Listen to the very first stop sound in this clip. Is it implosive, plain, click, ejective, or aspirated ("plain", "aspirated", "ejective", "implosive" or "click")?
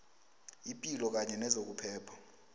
ejective